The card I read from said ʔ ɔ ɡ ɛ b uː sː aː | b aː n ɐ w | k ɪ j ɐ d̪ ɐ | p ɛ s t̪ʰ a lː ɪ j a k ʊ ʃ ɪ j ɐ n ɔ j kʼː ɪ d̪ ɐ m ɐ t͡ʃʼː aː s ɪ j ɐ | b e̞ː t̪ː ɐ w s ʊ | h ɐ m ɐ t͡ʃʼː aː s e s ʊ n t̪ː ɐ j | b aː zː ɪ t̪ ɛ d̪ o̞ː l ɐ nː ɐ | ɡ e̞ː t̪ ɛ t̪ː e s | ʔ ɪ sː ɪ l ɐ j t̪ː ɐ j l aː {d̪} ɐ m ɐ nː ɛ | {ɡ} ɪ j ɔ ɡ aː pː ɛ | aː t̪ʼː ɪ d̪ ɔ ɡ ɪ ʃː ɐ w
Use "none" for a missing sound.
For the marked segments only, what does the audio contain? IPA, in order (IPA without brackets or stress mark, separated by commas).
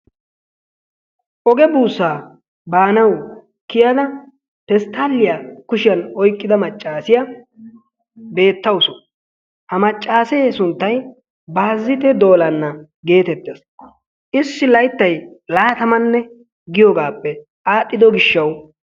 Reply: t̪, ɡ